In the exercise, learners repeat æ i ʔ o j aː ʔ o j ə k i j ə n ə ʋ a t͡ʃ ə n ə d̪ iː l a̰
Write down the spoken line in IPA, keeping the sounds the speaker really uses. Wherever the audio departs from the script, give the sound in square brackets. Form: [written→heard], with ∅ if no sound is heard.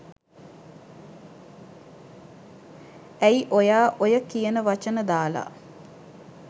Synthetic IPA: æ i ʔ o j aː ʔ o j ə k i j ə n ə ʋ a t͡ʃ ə n ə d̪ [iː→aː] l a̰